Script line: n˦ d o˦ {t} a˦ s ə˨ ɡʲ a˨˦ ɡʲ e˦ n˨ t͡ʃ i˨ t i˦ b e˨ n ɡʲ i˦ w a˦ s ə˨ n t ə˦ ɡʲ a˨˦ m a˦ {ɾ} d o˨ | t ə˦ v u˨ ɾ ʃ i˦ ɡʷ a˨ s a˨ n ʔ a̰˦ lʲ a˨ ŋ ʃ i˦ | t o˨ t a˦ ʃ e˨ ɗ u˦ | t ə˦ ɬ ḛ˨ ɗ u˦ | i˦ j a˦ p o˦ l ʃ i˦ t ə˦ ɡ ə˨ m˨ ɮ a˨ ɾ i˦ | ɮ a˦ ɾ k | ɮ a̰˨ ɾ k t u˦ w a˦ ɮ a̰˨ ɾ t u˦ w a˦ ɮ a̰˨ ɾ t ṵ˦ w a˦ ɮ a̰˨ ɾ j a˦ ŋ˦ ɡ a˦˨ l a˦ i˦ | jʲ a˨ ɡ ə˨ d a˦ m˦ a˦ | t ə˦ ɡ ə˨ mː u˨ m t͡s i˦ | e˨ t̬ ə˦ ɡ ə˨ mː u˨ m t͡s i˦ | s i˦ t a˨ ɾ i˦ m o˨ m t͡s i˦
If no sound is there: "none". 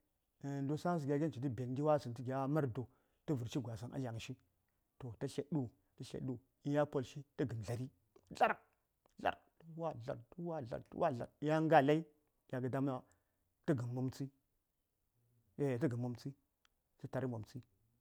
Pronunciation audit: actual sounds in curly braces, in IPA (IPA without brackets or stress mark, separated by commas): s, ɾ